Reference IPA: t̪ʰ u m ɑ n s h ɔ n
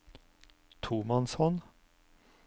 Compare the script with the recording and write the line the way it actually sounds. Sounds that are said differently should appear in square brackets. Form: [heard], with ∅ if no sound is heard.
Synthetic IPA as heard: t̪ʰ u m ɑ n s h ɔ n